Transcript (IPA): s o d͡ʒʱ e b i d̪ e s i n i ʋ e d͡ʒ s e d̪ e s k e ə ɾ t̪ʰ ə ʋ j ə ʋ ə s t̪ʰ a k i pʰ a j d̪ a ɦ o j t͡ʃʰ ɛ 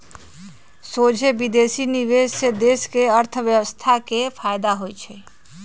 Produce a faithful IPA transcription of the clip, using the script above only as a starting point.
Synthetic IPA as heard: s o d͡ʒʱ e b i d̪ e s i n i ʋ e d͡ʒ s e d̪ e s k e ə ɾ t̪ʰ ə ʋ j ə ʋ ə s t̪ʰ a k e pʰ a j d̪ a ɦ o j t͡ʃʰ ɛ

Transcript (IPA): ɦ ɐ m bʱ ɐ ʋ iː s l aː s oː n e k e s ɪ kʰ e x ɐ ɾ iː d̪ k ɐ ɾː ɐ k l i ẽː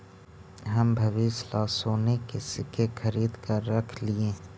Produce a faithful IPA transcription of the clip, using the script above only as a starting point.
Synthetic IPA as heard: ɦ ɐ m bʱ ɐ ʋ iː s l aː s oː n e k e s ɪ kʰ e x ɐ ɾ iː d̪ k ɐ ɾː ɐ kʰ l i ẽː

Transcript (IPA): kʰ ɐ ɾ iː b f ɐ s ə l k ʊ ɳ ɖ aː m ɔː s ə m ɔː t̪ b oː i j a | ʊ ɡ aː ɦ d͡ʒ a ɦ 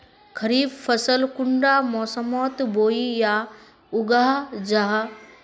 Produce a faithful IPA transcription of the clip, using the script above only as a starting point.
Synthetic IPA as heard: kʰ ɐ ɾ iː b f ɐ s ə l k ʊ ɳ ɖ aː m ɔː s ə m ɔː t̪ b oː i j a | ʊ ɡ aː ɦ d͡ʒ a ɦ

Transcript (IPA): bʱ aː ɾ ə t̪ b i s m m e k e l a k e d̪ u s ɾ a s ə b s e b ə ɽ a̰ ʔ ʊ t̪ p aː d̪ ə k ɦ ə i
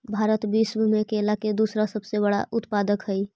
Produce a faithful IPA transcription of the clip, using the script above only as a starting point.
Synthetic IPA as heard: bʱ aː ɾ ə t̪ b i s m m e k e l a k e d̪ u s ɾ a s ə b s e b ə ɽ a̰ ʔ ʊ t̪ p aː d̪ ə k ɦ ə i

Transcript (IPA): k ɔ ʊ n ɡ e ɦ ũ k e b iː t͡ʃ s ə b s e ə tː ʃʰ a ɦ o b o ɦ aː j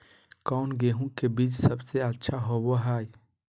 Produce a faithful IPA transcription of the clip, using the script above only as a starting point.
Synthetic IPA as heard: k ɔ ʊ n ɡ e ɦ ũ k e b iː t͡ʃ s ə b s e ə tː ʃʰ a ɦ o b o ɦ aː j

